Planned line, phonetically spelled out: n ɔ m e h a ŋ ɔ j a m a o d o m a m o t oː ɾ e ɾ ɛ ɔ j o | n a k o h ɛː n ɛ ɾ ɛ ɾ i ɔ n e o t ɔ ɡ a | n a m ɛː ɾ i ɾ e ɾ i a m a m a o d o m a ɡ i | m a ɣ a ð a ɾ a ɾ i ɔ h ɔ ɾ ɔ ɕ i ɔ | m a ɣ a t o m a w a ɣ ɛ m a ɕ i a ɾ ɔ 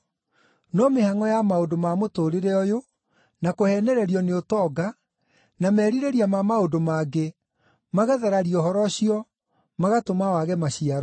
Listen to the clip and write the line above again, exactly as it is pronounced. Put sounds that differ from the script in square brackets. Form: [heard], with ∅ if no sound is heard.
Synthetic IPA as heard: n ɔ m e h a ŋ ɔ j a m a o d o m a m o t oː ɾ e ɾ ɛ ɔ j o | n a k o h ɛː n ɛ ɾ ɛ ɾ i ɔ n e o t ɔ ɡ a | n a m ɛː ɾ i ɾ e ɾ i a m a m a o d o m a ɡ [e] | m a ɣ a ð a ɾ a ɾ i ɔ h ɔ ɾ ɔ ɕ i ɔ | m a ɣ a t o m a w a ɣ ɛ m a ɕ i a ɾ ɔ